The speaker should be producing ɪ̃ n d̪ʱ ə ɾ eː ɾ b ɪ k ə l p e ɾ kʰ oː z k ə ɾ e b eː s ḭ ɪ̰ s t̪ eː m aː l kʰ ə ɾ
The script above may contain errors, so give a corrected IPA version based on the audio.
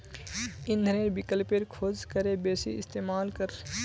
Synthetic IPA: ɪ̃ n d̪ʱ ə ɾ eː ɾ b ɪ k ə l p e ɾ kʰ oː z k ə ɾ e b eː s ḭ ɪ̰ s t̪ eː m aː l k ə ɾ

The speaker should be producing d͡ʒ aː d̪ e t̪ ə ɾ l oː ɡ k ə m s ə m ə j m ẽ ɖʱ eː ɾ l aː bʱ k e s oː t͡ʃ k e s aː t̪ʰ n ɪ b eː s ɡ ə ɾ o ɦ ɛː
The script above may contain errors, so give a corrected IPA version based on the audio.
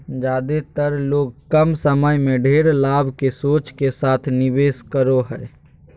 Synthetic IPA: d͡ʒ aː d̪ e t̪ ə ɾ l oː ɡ k ə m s ə m ə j m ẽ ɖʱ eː ɾ l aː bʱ k e s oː t͡ʃ k e s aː t̪ʰ n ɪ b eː s k ə ɾ o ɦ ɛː

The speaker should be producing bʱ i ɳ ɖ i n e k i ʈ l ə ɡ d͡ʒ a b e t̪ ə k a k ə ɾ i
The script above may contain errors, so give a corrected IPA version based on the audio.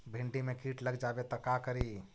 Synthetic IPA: bʱ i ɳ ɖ i m e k i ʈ l ə ɡ d͡ʒ a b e t̪ ə k a k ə ɾ i

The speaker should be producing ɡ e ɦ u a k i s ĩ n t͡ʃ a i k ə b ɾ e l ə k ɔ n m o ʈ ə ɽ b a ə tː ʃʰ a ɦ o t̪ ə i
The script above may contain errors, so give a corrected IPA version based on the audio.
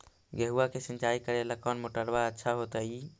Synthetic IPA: ɡ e ɦ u a k e s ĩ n t͡ʃ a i k ə ɾ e l ə k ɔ n m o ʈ ə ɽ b a ə tː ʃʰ a ɦ o t̪ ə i

